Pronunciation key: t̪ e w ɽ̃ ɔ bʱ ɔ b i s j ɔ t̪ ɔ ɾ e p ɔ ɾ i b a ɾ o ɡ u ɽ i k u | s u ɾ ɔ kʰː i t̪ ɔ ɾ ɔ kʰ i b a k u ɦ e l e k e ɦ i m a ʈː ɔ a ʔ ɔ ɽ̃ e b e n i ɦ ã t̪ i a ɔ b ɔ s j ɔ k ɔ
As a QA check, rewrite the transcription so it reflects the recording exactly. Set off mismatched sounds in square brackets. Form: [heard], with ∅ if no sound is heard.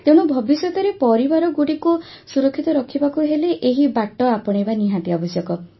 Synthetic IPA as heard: t̪ e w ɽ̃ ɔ bʱ ɔ b i s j ɔ t̪ ɔ ɾ e p ɔ ɾ i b a ɾ [ɔ] ɡ u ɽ i k u | s u ɾ ɔ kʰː i t̪ ɔ ɾ ɔ kʰ i b a k u ɦ e l e [ʔ] e ɦ i [b] a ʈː ɔ a [p] ɔ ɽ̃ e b [a] n i ɦ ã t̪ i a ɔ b ɔ s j ɔ k ɔ